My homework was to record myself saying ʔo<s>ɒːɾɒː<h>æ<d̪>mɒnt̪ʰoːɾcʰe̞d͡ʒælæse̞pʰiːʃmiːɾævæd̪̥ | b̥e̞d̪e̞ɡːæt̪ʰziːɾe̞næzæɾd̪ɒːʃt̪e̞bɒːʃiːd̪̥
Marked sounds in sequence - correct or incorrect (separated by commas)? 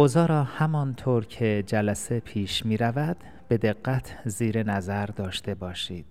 incorrect, correct, incorrect